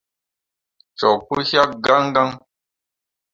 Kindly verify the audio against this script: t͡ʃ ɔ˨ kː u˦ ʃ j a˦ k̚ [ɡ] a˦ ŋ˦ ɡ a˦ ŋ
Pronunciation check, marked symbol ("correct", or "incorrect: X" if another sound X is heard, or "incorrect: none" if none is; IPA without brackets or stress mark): correct